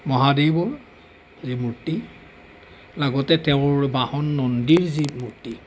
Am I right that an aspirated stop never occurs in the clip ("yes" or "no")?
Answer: yes